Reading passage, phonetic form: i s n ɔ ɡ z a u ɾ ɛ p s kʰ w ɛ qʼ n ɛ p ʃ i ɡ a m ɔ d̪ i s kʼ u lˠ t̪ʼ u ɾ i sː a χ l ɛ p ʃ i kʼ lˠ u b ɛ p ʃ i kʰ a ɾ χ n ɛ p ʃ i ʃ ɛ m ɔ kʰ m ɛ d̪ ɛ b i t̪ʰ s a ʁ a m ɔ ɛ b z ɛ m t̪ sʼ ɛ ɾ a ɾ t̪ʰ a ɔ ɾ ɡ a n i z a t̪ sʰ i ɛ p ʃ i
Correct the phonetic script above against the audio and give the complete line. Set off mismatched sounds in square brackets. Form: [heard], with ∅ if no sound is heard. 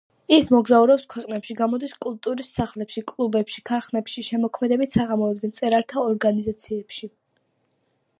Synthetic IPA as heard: i s [m] ɔ ɡ z a u ɾ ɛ p s kʰ w ɛ qʼ n ɛ p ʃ i ɡ a m ɔ d̪ i s kʼ u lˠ t̪ʼ u ɾ i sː a χ l ɛ p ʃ i kʼ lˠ u b ɛ p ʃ i kʰ a ɾ χ n ɛ p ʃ i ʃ ɛ m ɔ kʰ m ɛ d̪ ɛ b i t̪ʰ s a ʁ a m ɔ ɛ b z ɛ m t̪ sʼ ɛ ɾ a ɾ t̪ʰ a ɔ ɾ ɡ a n i z a t̪ sʰ i ɛ p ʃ i